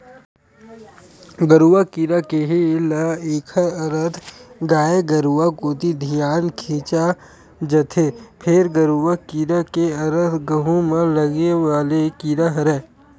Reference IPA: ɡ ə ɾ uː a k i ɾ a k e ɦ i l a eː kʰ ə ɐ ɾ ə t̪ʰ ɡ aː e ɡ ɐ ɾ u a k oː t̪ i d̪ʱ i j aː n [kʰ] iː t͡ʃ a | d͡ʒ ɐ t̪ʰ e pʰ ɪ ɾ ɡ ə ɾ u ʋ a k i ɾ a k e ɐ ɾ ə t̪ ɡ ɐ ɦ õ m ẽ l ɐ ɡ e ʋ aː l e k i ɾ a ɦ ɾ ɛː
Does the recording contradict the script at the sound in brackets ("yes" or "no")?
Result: no